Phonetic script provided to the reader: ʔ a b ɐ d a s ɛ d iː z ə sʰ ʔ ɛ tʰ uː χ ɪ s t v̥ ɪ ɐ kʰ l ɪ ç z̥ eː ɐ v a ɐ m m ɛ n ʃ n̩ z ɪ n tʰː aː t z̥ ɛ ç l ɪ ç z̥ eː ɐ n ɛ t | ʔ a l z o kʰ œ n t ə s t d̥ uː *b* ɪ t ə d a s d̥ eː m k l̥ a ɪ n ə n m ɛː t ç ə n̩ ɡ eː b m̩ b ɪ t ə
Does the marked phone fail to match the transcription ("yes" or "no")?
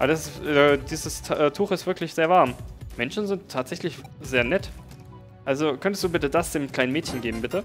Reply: no